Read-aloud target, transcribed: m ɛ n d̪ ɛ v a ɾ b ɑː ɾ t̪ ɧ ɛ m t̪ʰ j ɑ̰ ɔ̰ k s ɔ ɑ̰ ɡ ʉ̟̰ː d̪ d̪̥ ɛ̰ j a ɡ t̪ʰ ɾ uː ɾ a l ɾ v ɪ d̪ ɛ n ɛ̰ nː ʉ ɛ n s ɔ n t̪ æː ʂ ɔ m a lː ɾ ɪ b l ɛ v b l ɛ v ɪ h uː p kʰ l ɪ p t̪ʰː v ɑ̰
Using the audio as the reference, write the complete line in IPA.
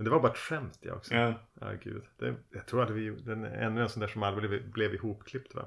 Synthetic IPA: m ɛ n d̪ ɛ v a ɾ b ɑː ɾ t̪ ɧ ɛ m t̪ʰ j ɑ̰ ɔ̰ k s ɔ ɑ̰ ɡ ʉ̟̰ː d̪ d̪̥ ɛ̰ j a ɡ t̪ʰ ɾ uː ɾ a l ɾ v ɪ d̪ ɛ n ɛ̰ nː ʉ ɛ n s ɔ n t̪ æː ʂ ɔ m a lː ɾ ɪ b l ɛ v b l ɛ v ɪ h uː p kʰ l ɪ p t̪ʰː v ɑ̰